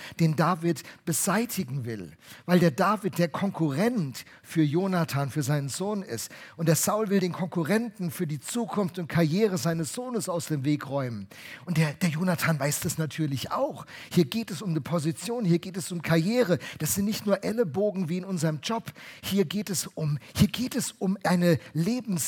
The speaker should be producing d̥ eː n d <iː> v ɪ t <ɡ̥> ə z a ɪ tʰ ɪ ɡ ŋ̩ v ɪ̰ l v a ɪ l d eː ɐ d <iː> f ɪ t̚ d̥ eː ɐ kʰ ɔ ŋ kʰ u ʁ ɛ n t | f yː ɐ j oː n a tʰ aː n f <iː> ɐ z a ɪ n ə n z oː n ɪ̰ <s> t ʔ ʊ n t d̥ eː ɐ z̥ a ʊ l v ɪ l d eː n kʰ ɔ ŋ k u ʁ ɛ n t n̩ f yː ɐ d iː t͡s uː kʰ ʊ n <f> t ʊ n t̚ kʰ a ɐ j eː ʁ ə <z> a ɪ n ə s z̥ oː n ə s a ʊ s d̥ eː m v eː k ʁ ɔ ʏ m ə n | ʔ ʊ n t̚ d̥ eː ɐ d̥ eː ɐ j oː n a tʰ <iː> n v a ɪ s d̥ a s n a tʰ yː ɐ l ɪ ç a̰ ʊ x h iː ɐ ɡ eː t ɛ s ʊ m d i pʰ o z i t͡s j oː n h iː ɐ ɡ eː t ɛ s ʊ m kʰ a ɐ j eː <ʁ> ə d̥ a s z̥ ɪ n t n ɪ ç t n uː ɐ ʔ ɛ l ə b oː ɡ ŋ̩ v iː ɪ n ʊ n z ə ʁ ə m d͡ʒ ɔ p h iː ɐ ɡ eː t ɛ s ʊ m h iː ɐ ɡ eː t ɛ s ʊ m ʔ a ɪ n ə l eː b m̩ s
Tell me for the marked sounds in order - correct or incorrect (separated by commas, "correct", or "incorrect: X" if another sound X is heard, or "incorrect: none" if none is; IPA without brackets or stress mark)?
incorrect: aː, incorrect: b̥, incorrect: aː, incorrect: yː, correct, correct, correct, incorrect: aː, correct